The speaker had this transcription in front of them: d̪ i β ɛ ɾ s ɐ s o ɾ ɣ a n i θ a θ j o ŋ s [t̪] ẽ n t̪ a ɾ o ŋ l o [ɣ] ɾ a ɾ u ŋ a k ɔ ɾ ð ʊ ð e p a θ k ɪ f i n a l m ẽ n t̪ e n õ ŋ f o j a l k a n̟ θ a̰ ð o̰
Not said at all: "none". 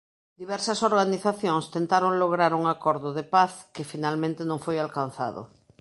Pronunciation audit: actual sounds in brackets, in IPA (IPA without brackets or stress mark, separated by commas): t̪, ɣ